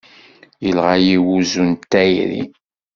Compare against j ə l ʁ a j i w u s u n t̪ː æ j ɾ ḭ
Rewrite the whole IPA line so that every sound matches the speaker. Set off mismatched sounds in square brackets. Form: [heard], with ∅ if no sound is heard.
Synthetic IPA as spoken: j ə l ʁ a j i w u [z] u n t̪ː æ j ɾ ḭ